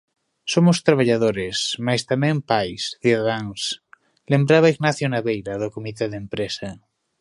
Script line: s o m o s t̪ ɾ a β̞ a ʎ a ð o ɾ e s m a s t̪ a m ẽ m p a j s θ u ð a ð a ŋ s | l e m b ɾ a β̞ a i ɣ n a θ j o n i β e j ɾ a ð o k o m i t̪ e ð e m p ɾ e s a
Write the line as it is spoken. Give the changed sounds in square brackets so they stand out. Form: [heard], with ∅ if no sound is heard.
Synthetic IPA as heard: s o m o s t̪ ɾ a β̞ a ʎ a ð o ɾ e s m a s t̪ a m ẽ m p a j s θ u ð a ð a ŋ s | l e m b ɾ a β̞ a i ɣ n a θ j o n [a] β e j ɾ a ð o k o m i t̪ e ð e m p ɾ e s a